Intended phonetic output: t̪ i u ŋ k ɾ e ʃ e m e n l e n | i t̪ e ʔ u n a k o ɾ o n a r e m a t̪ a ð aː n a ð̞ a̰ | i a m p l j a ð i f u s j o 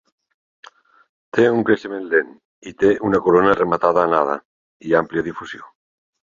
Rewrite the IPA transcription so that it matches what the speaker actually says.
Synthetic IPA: t̪ e u ŋ k ɾ e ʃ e m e n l e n | i t̪ e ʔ u n a k o ɾ o n a r e m a t̪ a ð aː n a ð̞ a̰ | i a m p l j a ð i f u s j o